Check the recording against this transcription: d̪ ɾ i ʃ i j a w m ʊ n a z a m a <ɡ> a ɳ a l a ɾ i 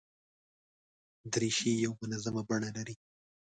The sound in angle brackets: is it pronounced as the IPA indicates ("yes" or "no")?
no